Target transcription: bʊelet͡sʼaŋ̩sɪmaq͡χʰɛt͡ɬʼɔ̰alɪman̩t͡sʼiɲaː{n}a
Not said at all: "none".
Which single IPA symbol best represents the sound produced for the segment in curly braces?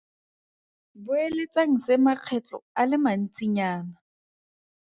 n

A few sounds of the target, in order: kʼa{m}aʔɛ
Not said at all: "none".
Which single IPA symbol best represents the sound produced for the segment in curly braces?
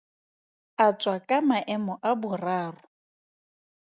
m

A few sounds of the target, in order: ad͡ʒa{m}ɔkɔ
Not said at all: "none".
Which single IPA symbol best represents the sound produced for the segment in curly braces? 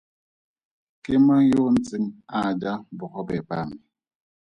b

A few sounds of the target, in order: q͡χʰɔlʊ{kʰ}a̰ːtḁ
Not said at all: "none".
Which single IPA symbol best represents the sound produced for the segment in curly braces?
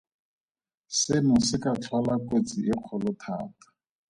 tʰ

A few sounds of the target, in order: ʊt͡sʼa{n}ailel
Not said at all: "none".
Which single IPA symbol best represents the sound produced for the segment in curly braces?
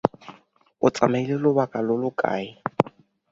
m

